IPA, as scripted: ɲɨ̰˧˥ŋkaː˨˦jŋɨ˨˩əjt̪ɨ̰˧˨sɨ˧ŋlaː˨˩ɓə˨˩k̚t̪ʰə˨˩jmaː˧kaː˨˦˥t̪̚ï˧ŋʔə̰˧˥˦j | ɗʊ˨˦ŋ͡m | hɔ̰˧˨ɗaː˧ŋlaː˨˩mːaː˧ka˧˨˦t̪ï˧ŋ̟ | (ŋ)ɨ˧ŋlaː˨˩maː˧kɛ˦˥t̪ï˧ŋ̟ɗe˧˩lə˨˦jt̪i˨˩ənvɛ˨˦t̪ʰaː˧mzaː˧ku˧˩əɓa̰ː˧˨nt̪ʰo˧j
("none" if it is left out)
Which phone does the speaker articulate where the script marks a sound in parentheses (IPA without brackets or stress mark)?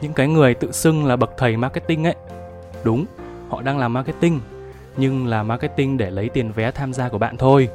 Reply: ɲ